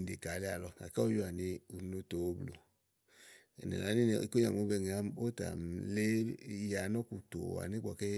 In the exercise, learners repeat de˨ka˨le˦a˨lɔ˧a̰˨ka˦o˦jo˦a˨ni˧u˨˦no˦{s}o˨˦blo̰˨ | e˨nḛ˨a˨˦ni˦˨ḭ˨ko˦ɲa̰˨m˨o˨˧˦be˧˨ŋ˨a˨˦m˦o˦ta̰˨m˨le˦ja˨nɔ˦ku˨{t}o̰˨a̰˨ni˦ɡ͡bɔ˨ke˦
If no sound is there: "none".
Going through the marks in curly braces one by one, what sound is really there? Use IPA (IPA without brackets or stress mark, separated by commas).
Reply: t, t